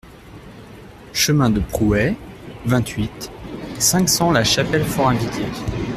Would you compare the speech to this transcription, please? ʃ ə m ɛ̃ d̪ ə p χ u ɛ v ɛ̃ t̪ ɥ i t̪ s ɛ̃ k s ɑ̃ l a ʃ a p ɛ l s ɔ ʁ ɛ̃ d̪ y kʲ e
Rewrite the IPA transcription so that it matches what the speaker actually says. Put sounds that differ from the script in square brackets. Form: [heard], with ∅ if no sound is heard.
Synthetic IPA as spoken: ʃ ə m ɛ̃ d̪ ə p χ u ɛ v ɛ̃ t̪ ɥ i t̪ s ɛ̃ k s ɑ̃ l a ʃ a p ɛ l [f] ɔ ʁ ɛ̃ d̪ [i] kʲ e

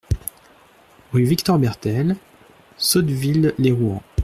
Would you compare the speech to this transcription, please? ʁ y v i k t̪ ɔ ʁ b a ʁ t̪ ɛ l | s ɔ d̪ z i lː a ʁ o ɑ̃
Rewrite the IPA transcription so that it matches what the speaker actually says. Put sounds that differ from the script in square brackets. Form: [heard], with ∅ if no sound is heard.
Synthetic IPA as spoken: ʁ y v i k t̪ ɔ ʁ b [ɛ] ʁ t̪ ɛ l | s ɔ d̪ [v] i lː [e] ʁ [u] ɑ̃

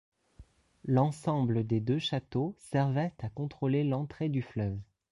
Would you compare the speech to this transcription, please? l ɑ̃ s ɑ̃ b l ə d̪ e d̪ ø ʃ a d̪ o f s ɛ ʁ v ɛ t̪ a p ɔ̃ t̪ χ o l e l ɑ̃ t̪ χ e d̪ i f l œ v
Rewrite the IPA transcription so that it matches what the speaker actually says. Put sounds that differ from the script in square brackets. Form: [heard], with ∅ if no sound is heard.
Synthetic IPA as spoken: l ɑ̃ s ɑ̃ b l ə d̪ e d̪ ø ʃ a [t̪] o [∅] s ɛ ʁ v ɛ t̪ a [k] ɔ̃ t̪ χ o l e l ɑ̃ t̪ χ e d̪ [y] f l œ v

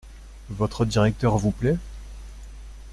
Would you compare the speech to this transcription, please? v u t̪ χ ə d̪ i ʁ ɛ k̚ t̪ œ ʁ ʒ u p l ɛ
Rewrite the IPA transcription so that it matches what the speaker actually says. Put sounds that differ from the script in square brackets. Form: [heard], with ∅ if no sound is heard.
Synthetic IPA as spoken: v [ɔ] t̪ χ ə d̪ i ʁ ɛ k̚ t̪ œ ʁ [v] u p l ɛ

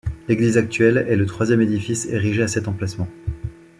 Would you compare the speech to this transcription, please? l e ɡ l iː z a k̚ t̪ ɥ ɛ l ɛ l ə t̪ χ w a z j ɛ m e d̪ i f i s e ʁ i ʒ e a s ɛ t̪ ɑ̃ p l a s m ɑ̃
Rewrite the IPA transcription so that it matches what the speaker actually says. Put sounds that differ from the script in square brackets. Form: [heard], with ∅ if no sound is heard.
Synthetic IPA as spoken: l e ɡ l [i] z a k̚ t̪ ɥ ɛ l ɛ l ə t̪ χ w a z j ɛ m e d̪ i f i s e ʁ i ʒ e a s ɛ t̪ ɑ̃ p l a s m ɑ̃

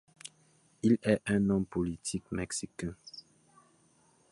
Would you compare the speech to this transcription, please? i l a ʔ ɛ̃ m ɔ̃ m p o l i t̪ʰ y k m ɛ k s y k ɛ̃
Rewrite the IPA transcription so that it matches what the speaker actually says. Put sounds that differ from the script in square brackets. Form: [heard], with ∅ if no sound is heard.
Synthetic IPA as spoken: i l [ɛ] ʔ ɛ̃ [n] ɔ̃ m p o l i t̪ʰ [i] k m ɛ k s [i] k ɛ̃

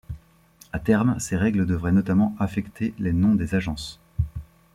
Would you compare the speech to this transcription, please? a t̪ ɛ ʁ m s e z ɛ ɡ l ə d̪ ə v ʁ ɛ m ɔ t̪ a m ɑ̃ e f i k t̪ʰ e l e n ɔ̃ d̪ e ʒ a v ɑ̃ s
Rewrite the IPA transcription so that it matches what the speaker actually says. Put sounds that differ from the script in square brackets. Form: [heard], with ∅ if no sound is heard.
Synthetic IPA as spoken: a t̪ ɛ ʁ m s e [ʁ] ɛ ɡ l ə d̪ ə v ʁ ɛ [n] ɔ t̪ a m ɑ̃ [a] f [ɛ] k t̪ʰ e l e n ɔ̃ d̪ e [z] a [ʒ] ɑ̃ s

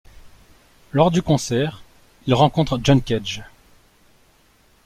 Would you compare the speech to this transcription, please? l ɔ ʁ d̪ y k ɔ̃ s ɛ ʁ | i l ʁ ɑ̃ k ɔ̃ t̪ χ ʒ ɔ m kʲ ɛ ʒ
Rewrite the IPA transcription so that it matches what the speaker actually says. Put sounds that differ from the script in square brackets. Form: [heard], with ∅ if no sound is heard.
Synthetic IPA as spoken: l ɔ ʁ d̪ y k ɔ̃ s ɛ ʁ | i l ʁ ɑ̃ k ɔ̃ t̪ χ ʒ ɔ [n] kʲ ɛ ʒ

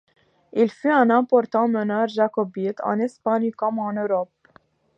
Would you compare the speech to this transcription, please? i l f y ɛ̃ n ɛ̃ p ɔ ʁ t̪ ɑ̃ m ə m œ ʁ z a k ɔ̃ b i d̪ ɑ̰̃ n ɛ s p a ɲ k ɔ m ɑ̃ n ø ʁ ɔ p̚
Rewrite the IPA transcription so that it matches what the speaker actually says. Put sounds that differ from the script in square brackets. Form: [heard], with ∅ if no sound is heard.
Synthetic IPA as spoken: i l f y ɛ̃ n ɛ̃ p ɔ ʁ t̪ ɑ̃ m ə [n] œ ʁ [ʒ] a k [ɔ] b i [t̪] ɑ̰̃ n ɛ s p a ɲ k ɔ m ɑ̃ n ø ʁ ɔ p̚

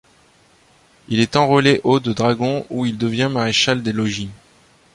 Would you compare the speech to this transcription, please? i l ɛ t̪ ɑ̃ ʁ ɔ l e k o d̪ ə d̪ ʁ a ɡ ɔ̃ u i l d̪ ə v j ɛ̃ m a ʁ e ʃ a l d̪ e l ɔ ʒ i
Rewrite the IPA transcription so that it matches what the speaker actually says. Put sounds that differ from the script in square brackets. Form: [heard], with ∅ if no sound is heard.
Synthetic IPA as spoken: i l ɛ t̪ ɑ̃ ʁ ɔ l e [ʔ] o d̪ ə d̪ ʁ a ɡ ɔ̃ u i l d̪ ə v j ɛ̃ m a ʁ e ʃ a l d̪ e l ɔ ʒ i

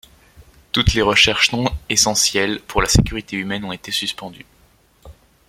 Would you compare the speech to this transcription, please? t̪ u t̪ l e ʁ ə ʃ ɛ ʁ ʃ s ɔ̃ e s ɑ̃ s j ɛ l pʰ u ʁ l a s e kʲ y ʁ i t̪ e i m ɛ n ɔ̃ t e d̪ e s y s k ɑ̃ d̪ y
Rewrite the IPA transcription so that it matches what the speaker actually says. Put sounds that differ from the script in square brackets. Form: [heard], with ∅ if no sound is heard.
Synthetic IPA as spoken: t̪ u t̪ l e ʁ ə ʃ ɛ ʁ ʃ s ɔ̃ e s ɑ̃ s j ɛ l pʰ u ʁ l a s e kʲ y ʁ i t̪ e [y] m ɛ n ɔ̃ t e [t̪] e s y s [p] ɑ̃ d̪ y

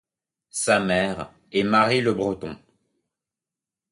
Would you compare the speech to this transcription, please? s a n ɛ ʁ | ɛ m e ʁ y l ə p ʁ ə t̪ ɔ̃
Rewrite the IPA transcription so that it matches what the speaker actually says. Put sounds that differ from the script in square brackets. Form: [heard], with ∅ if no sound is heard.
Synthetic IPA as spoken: s a [m] ɛ ʁ | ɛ m [a] ʁ [i] l ə [b] ʁ ə t̪ ɔ̃

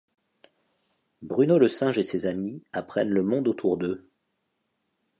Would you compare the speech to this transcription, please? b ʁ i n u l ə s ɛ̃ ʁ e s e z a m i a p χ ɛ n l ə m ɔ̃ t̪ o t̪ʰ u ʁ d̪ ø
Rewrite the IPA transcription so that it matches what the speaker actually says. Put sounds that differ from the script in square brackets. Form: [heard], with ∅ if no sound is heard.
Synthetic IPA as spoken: b ʁ [y] n [o] l ə s ɛ̃ [ʒ] e s e z a m i a p χ ɛ n l ə m ɔ̃ [d̪] o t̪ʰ u ʁ d̪ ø

